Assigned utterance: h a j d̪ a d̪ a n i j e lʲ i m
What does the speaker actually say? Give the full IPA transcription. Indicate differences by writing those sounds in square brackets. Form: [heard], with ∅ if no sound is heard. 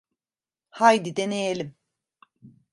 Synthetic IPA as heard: h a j d̪ [i] d̪ [e] n [e] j e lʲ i m